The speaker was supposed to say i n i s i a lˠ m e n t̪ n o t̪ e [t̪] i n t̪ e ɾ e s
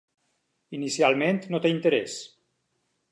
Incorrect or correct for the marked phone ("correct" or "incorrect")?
incorrect